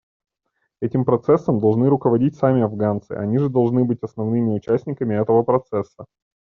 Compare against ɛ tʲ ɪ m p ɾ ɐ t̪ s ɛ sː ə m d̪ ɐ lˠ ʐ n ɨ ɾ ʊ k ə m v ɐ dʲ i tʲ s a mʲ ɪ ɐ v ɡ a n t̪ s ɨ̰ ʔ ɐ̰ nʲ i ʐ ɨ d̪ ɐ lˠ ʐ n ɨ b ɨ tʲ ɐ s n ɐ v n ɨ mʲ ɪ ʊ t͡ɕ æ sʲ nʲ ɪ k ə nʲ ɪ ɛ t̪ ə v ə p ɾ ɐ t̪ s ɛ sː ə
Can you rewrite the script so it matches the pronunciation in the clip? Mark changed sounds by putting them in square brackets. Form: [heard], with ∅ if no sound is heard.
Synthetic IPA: ɛ tʲ ɪ m p ɾ ɐ t̪ s ɛ sː ə m d̪ ɐ lˠ ʐ n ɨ ɾ ʊ k ə [∅] v ɐ dʲ i tʲ s a mʲ ɪ ɐ v ɡ a n t̪ s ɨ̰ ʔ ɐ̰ nʲ i ʐ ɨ d̪ ɐ lˠ ʐ n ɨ b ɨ tʲ ɐ s n ɐ v n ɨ mʲ ɪ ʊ t͡ɕ æ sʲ nʲ ɪ k ə [mʲ] ɪ ɛ t̪ ə v ə p ɾ ɐ t̪ s ɛ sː ə